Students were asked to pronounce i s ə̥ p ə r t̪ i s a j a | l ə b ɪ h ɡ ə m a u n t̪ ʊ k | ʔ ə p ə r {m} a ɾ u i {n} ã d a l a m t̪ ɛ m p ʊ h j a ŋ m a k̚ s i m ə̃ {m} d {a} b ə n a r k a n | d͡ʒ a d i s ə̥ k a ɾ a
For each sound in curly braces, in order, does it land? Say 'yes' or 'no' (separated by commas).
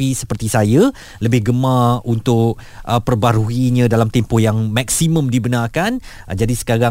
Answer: no, no, yes, no